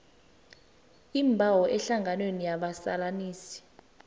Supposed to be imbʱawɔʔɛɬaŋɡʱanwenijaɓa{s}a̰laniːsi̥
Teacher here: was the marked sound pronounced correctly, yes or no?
yes